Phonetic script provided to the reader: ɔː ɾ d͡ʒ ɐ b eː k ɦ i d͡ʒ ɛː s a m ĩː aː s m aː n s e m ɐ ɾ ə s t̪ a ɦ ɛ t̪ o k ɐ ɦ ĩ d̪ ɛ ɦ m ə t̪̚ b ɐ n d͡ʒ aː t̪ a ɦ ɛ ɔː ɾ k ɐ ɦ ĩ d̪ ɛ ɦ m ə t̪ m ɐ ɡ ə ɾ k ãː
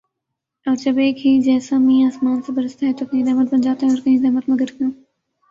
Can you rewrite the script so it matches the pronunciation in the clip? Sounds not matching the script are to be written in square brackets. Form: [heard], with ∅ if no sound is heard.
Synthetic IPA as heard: ɔː ɾ d͡ʒ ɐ b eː k ɦ i d͡ʒ ɛː s a m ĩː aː s m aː n s e [b] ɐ ɾ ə s t̪ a ɦ ɛ t̪ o k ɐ ɦ ĩ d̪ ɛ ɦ m ə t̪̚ b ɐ n d͡ʒ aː t̪ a ɦ ɛ ɔː ɾ k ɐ ɦ ĩ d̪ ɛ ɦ m ə t̪ m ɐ ɡ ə ɾ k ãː